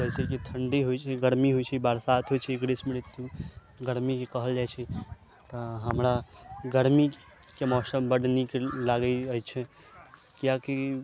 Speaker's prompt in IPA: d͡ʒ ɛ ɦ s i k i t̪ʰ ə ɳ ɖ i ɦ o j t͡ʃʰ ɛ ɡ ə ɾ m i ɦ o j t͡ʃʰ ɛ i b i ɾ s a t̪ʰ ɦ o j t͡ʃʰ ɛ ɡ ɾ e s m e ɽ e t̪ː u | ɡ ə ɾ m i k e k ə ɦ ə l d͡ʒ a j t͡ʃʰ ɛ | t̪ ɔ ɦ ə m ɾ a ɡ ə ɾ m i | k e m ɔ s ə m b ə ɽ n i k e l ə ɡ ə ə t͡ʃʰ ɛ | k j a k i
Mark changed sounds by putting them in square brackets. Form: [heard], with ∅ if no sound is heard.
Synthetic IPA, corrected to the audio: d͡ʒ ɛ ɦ s [e] k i t̪ʰ ə ɳ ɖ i ɦ o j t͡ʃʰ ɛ ɡ ə ɾ m i ɦ o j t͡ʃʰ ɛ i b [a] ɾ s a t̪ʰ ɦ o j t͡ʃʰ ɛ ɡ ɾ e s m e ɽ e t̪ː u | ɡ ə ɾ m i k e k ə ɦ ə l d͡ʒ a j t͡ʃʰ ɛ | t̪ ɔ ɦ ə m ɾ a ɡ ə ɾ m i | k e m ɔ s ə m b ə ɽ n i k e l [a] ɡ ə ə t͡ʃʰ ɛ | k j a k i